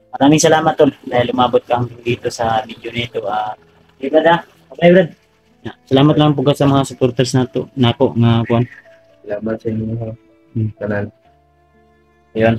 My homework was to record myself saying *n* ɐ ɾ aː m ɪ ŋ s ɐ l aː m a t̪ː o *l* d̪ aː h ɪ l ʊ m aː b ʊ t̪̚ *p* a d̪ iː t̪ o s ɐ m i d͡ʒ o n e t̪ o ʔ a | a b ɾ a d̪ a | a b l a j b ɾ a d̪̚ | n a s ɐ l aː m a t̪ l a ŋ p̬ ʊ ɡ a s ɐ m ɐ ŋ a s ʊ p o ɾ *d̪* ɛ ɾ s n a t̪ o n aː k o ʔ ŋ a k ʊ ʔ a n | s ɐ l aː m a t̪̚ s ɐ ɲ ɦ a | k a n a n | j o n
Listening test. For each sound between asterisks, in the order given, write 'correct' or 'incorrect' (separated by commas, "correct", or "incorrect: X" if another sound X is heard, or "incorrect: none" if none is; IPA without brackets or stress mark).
incorrect: m, correct, incorrect: k, incorrect: t̪